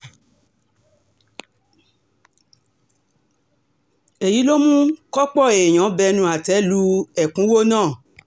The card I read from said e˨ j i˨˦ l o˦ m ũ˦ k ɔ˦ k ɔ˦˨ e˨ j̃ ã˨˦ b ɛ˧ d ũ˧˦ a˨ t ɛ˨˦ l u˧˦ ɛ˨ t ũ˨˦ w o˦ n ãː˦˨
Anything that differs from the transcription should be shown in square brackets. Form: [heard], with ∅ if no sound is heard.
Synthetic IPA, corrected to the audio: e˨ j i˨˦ l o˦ m ũ˦ k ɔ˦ [k͡p] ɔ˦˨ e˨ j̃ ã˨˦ b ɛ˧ [n] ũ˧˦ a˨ t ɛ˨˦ l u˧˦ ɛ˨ [k] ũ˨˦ w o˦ n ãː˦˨

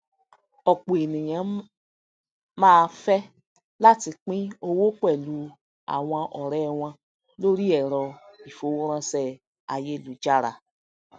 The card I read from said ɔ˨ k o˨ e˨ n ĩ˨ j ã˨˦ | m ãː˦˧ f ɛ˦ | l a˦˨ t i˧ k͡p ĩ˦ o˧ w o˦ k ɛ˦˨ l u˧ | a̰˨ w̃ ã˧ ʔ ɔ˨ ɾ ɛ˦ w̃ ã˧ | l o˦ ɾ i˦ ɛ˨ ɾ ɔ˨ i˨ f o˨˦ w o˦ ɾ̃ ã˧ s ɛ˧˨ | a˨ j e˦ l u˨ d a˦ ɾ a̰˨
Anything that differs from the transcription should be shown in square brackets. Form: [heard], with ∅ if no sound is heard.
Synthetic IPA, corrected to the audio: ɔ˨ [k͡p] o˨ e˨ n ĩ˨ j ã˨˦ | m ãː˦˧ f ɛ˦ | l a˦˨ t i˧ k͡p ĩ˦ o˧ w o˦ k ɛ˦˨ l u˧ | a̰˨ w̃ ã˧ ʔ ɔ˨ ɾ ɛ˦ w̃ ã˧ | l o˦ ɾ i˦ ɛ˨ ɾ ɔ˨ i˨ f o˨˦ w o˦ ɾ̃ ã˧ s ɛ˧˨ | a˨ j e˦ l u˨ [d͡ʒ] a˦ ɾ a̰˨

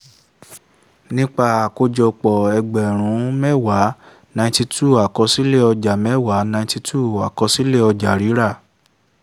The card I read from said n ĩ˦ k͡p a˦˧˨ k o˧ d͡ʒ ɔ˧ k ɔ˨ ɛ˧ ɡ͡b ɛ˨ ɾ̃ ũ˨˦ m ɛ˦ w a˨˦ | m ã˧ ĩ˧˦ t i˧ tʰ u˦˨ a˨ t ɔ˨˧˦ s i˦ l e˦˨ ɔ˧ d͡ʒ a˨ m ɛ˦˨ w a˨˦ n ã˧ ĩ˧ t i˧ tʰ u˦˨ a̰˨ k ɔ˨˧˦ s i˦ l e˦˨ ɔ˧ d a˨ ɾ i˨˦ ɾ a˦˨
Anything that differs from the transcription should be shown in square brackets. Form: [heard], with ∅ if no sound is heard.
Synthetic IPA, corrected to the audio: n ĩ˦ k͡p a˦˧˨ k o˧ d͡ʒ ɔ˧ [k͡p] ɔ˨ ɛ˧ ɡ͡b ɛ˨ ɾ̃ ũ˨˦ m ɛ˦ w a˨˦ | [n] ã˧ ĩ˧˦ t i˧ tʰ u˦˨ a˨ [k] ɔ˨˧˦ s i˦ l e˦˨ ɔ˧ d͡ʒ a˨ m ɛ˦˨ w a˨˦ n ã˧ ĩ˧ t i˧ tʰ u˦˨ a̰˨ k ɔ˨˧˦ s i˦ l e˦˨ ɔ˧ [d͡ʒ] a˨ ɾ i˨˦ ɾ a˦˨

